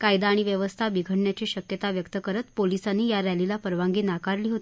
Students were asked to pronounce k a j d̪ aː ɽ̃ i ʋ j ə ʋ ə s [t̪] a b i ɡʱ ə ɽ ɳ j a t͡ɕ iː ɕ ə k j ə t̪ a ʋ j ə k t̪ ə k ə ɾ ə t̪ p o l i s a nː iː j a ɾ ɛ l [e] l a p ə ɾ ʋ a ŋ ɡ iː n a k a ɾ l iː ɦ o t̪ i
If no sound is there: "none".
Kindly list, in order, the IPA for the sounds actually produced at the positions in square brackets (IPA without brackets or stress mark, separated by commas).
t̪ʰ, i